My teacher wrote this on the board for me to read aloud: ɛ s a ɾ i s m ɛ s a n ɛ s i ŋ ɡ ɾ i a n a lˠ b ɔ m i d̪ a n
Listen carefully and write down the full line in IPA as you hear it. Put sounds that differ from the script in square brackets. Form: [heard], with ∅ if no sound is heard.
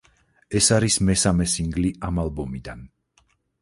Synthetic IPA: ɛ s a ɾ i s m ɛ s a [m] ɛ s i ŋ ɡ [l] i a [m] a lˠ b ɔ m i d̪ a n